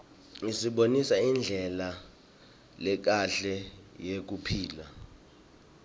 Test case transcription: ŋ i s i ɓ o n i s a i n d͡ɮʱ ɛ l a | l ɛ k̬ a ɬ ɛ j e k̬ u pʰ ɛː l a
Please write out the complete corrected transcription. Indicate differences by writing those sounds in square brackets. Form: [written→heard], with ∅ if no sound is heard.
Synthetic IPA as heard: ŋ i s i ɓ o n i s a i n d͡ɮʱ ɛ l a | l ɛ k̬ a ɬ ɛ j e k̬ u pʰ [ɛː→iː] l a